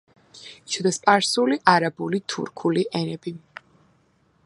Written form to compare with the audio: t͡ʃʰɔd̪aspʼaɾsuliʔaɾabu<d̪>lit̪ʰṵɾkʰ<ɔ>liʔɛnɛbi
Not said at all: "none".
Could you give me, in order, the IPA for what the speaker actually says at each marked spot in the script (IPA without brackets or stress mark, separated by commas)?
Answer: none, u